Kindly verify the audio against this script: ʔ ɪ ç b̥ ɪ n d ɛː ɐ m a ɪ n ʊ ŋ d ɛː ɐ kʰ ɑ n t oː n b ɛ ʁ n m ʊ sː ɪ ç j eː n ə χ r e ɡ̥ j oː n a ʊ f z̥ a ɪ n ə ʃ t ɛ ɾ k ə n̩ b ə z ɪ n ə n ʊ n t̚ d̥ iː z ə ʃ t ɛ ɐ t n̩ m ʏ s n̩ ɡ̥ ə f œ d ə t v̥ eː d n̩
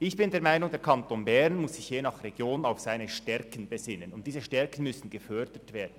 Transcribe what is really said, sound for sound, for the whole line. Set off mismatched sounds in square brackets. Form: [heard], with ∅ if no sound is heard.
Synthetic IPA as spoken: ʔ ɪ ç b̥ ɪ n d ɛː ɐ m a ɪ n ʊ ŋ d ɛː ɐ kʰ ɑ n t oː n b ɛ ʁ n m ʊ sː ɪ ç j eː n [ɑ] χ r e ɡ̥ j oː n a ʊ f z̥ a ɪ n ə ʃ t ɛ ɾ k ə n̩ b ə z ɪ n ə n ʊ n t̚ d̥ iː z ə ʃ t ɛ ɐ [k] n̩ m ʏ s n̩ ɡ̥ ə f œ d ə t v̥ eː d n̩